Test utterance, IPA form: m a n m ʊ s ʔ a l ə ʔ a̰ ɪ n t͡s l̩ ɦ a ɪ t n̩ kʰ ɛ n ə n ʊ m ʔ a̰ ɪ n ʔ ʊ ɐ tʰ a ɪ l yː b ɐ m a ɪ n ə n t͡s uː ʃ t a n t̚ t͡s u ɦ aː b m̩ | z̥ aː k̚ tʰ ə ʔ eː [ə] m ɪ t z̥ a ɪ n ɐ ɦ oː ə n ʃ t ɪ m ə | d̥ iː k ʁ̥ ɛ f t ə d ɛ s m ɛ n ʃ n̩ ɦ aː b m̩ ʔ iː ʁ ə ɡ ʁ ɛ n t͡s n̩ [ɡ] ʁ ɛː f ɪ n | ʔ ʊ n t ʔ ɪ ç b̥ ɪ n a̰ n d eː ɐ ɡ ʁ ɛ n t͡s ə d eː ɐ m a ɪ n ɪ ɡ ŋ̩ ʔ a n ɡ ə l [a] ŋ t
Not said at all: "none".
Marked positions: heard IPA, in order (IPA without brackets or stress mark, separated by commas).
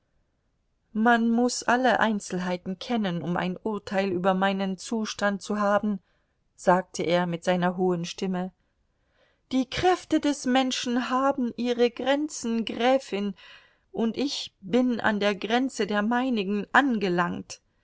ɐ, ɡ, a